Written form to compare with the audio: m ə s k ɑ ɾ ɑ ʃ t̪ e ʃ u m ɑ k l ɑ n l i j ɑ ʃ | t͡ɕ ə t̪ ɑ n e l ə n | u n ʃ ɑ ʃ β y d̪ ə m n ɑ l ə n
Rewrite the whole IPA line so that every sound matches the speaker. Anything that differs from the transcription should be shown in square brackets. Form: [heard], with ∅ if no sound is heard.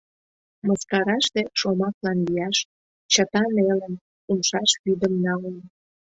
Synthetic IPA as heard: m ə s k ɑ ɾ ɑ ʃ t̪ e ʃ [o] m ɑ k l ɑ n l i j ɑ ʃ | t͡ɕ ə t̪ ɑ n e l ə n | u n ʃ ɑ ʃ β y d̪ ə m n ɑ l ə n